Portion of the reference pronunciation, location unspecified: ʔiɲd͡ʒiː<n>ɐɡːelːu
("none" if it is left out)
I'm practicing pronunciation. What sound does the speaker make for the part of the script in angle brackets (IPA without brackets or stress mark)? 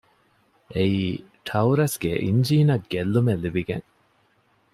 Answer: n